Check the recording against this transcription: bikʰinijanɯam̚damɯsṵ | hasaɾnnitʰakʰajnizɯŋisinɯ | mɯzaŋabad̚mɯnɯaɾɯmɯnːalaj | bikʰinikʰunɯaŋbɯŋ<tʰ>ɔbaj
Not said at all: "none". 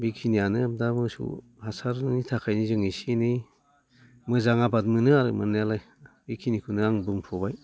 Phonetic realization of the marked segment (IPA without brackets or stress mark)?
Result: pʰ